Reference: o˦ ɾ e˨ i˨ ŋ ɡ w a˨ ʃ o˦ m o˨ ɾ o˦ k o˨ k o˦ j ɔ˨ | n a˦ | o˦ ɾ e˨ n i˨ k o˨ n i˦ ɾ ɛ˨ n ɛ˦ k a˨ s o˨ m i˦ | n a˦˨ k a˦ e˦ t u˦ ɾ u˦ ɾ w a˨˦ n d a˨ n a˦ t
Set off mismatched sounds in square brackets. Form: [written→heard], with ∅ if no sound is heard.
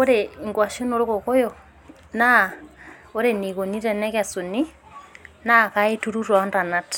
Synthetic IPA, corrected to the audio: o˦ ɾ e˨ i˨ ŋ ɡ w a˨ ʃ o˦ [m→n] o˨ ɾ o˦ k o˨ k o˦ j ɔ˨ | n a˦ | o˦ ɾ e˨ n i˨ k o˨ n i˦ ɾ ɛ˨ n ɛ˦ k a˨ s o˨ [m→n] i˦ | n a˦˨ k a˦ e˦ t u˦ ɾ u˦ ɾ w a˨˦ n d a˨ n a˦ t